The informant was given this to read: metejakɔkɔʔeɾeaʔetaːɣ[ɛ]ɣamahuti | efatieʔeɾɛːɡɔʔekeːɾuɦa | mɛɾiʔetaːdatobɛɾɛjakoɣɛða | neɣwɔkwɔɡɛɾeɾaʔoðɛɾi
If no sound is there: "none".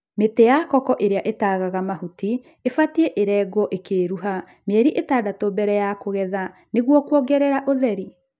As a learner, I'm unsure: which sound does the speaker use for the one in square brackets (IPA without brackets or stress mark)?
a